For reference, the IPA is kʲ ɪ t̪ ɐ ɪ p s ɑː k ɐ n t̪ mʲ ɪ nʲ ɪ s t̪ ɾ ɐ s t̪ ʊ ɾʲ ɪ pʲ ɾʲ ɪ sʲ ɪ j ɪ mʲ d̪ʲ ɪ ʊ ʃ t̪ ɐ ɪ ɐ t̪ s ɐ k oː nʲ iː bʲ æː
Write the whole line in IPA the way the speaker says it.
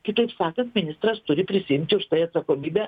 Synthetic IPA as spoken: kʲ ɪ t̪ ɐ ɪ p s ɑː k ɐ n t̪ mʲ ɪ nʲ ɪ s t̪ ɾ ɐ s t̪ ʊ ɾʲ ɪ pʲ ɾʲ ɪ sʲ ɪ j ɪ mʲ t̪ʲ ɪ ʊ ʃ t̪ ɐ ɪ ɐ t̪ s ɐ k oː mʲ iː bʲ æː